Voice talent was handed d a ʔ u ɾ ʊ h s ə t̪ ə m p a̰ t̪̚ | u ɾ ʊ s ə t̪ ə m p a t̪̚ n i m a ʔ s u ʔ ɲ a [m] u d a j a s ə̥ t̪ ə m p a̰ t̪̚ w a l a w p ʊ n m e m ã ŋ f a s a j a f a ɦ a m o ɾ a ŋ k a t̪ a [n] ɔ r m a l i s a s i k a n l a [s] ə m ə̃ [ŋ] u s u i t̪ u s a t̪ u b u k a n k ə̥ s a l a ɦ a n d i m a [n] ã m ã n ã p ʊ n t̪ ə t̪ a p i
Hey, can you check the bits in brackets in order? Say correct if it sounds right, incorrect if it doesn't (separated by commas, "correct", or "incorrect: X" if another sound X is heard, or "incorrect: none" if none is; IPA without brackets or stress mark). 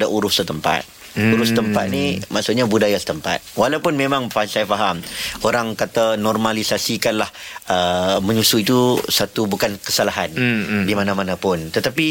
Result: incorrect: b, correct, incorrect: h, incorrect: ɲ, correct